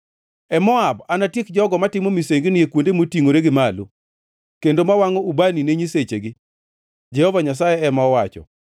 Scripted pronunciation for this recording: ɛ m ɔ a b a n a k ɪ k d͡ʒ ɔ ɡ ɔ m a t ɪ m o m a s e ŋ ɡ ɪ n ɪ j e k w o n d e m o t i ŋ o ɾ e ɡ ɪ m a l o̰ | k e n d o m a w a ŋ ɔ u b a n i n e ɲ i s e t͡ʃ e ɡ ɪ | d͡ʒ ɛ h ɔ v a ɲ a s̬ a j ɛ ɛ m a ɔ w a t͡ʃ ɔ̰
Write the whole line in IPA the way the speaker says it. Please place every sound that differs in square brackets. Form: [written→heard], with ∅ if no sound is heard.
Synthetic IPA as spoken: ɛ m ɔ a b a n a [k→t] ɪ k d͡ʒ ɔ ɡ ɔ m a t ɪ m o m [a→i] s e ŋ ɡ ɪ n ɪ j e k w o n d e m o t i ŋ o ɾ e ɡ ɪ m a l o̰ | k e n d o m a w a ŋ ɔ u b a n i n e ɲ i s e t͡ʃ e ɡ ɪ | d͡ʒ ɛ h ɔ v a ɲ a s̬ a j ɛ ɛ m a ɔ w a t͡ʃ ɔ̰